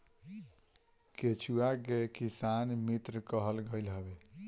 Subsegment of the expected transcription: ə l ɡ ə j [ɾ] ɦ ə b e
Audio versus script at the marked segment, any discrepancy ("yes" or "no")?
yes